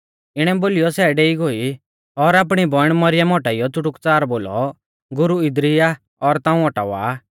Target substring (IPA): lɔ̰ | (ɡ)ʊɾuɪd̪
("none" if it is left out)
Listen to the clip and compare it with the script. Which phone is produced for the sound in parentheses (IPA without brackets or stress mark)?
ɡ